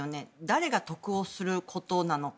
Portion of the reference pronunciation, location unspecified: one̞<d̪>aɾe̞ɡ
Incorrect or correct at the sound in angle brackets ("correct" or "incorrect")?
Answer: correct